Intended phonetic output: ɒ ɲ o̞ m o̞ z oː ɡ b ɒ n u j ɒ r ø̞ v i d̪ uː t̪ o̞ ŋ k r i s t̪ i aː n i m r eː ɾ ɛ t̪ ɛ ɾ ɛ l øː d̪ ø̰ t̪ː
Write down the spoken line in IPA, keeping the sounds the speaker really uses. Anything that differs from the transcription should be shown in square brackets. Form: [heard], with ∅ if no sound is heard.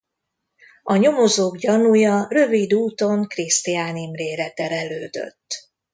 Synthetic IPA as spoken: ɒ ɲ o̞ m o̞ z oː ɡ [ɟ] ɒ n u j ɒ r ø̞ v i d̪ uː t̪ o̞ ŋ k r i s t̪ i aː n i m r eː ɾ ɛ t̪ ɛ ɾ ɛ l øː d̪ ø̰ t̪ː